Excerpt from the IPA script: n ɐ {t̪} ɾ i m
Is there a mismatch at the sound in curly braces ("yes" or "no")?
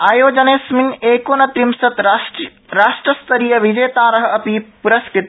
no